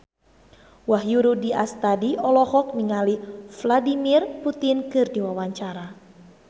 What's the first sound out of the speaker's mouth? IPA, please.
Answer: w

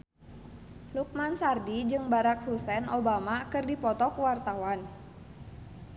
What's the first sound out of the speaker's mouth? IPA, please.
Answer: l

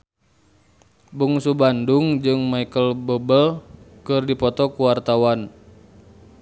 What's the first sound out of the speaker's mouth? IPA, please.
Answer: b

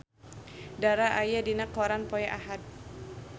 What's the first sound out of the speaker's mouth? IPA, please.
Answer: d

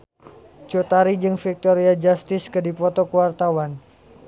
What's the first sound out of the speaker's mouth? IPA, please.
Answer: t͡ʃ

